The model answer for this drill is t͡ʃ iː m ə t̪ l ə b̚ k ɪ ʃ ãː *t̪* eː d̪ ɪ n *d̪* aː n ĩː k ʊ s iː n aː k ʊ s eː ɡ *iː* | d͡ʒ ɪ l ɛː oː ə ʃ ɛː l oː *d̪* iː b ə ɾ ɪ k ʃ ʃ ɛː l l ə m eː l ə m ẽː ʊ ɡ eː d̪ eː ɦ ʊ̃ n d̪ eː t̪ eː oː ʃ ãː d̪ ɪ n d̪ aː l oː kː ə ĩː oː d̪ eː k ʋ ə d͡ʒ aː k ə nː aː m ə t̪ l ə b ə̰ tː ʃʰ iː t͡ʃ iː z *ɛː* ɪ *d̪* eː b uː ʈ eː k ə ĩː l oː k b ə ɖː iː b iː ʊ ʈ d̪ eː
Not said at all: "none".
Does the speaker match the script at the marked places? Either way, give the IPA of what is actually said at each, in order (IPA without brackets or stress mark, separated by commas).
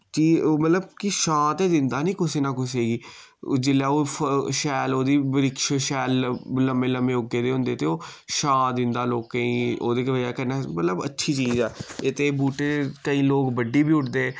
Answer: t̪, d̪, iː, d̪, ɛː, t̪